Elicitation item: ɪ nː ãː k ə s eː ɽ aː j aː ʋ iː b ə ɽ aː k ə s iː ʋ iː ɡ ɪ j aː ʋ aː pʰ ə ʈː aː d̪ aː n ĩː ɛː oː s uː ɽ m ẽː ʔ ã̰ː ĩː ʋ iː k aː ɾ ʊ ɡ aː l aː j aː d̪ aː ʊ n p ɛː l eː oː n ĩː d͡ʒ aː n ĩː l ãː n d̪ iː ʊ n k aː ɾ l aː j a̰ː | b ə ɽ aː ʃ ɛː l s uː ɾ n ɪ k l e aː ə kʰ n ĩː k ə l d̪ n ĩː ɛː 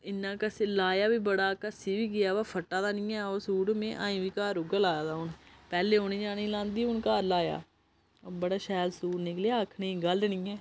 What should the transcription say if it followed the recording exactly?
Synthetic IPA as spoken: ɪ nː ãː k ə s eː l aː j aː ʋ iː b ə ɽ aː k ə s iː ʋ iː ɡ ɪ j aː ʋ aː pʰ ə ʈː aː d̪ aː n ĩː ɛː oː s uː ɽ m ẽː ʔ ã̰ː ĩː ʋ iː k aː ɾ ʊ ɡ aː l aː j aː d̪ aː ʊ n p ɛː l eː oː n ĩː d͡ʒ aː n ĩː l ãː n d̪ iː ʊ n k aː ɾ l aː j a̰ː | b ə ɽ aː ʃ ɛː l s uː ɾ n ɪ k l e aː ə kʰ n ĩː ɡ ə l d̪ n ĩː ɛː